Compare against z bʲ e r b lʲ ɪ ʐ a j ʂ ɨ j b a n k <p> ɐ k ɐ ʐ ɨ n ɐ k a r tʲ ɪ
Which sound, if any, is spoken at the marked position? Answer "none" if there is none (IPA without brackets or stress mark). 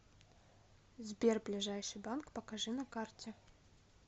p